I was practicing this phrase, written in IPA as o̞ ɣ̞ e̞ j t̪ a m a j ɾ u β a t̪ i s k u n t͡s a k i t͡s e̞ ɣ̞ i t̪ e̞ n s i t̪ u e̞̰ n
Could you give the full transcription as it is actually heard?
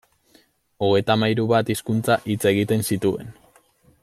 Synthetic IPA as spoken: o̞ ɣ̞ e̞ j t̪ a m a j ɾ u β a t̪ i s k u n t͡s a ʔ i t͡s e̞ ɣ̞ i t̪ e̞ n s i t̪ u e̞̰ n